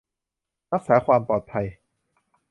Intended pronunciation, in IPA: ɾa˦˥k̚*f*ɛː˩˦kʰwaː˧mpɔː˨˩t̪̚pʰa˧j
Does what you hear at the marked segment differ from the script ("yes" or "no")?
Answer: yes